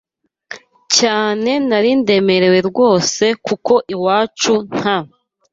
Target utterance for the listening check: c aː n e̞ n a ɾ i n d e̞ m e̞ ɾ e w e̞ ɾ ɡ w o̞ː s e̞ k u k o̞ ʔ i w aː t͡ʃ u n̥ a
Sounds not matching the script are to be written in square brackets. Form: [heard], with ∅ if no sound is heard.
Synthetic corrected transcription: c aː n e̞ n a ɾ i n d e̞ m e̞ ɾ e w e̞ ɾ ɡ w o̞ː s e̞ k u k o̞ ʔ i w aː t͡ʃ u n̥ a